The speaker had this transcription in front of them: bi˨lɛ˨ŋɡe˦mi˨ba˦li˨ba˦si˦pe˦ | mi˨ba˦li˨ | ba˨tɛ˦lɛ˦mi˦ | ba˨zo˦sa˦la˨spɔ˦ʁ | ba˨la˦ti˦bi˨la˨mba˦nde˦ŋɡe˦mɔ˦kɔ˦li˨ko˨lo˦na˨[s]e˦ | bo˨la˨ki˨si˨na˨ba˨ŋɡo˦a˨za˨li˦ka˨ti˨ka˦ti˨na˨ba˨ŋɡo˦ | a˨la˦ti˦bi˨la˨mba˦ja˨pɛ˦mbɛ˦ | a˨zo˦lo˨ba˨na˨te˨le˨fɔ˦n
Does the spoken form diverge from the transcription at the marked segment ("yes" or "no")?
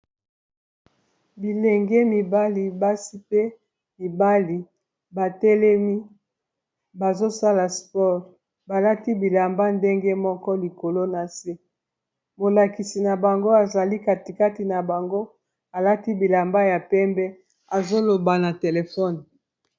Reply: no